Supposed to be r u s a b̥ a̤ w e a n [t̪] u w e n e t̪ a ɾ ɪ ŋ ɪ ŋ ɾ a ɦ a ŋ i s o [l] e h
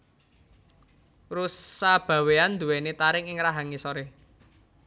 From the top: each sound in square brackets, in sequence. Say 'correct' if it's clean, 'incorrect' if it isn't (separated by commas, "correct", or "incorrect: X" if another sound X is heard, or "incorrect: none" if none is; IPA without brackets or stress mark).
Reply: incorrect: d̪, incorrect: ɾ